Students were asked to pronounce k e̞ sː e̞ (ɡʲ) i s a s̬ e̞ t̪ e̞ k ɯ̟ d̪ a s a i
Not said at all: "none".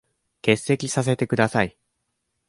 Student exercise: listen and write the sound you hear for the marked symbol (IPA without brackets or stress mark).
kʲ